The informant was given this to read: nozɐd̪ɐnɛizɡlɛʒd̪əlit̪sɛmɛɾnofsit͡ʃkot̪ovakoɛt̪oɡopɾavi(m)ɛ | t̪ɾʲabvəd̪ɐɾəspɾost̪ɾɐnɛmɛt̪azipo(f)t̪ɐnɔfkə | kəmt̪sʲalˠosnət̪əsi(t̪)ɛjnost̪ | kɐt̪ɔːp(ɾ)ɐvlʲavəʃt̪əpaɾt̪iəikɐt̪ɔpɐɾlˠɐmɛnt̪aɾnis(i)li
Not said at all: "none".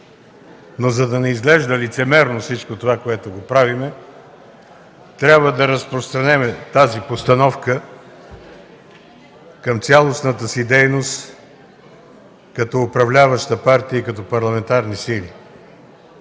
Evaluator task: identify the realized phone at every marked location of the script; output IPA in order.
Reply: m, s, d̪, ɾ, i

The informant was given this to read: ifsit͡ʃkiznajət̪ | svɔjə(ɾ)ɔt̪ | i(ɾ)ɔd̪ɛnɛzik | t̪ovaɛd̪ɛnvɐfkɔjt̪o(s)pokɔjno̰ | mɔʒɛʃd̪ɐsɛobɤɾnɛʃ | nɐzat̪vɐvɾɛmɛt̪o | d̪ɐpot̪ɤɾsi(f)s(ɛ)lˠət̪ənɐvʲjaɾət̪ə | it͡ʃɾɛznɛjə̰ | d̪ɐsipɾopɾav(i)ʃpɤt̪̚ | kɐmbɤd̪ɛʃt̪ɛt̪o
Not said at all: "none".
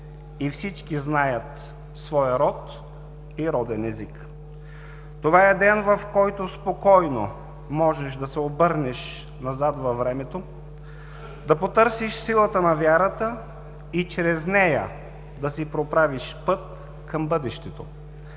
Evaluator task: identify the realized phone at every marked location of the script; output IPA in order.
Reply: ɾ, ɾ, s, ʃ, i, i

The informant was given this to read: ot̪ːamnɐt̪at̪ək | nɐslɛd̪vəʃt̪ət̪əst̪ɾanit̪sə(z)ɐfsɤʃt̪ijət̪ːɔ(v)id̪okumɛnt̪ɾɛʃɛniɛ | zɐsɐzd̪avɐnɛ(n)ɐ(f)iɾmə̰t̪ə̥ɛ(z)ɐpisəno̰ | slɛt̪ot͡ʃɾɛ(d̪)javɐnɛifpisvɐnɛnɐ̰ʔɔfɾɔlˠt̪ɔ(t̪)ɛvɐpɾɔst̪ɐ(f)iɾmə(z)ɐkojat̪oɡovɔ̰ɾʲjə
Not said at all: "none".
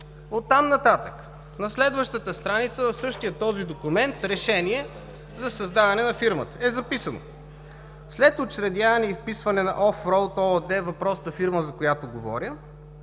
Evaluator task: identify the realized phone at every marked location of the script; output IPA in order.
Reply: v, z, n, f, z, d̪, d̪, f, z

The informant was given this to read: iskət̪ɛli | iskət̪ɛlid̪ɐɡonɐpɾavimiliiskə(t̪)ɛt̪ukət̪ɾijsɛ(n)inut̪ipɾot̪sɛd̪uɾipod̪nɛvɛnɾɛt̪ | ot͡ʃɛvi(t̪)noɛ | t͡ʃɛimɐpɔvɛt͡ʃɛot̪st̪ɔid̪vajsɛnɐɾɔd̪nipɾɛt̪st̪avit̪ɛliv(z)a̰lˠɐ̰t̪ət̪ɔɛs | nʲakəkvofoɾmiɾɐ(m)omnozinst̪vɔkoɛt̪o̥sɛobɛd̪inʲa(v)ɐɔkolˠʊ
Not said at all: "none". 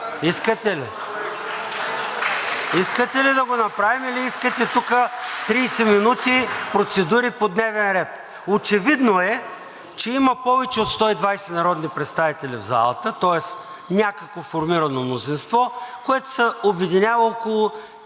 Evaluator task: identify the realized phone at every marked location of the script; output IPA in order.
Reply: t̪, m, d̪, z, n, v

